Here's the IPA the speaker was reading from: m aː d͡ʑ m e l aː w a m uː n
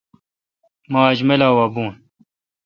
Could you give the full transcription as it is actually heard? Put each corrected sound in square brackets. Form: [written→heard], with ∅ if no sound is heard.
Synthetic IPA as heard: m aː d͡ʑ m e l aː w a [m→b] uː n

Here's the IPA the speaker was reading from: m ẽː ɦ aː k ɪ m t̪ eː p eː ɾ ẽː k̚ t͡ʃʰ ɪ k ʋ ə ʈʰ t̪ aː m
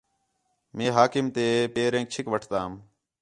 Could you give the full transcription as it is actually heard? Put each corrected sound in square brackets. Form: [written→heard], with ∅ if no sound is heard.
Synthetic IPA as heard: m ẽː ɦ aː k ɪ m t̪ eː p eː ɾ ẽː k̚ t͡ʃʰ ɪ k ʋ ə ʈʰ t̪ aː m

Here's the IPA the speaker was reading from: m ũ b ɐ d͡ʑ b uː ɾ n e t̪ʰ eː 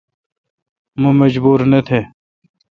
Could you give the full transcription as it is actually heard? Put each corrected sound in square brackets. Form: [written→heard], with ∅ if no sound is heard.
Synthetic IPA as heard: m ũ [b→m] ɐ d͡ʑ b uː ɾ n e t̪ʰ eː

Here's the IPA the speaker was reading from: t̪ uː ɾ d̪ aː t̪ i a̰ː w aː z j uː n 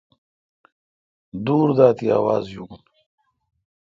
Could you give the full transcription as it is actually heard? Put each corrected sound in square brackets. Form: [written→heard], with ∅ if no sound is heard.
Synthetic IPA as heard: [t̪→d̪] uː ɾ d̪ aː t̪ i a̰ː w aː z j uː n

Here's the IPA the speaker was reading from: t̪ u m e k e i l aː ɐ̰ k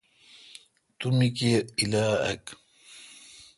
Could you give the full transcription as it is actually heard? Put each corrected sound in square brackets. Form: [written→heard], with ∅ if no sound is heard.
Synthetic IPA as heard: t̪ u m [e→i] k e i l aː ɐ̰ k

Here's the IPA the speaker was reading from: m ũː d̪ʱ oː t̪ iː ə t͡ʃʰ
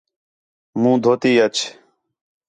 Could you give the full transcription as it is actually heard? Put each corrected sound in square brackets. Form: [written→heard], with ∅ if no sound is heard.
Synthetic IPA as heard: m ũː d̪ʱ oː t̪ iː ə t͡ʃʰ

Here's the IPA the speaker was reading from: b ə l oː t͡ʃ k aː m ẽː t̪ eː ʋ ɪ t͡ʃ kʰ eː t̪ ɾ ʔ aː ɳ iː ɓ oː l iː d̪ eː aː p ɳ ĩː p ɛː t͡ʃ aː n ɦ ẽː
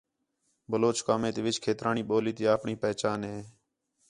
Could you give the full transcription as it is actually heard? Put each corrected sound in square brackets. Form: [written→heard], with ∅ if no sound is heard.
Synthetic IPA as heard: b ə l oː t͡ʃ k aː m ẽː t̪ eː ʋ ɪ t͡ʃ kʰ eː t̪ ɾ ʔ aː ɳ iː ɓ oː l iː [d̪→t̪] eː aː p ɳ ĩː p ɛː t͡ʃ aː n ɦ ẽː

